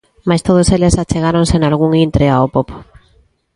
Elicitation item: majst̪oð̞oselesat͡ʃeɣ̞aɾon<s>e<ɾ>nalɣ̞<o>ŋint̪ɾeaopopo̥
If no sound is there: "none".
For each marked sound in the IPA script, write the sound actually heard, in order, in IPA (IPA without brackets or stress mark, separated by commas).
s, none, u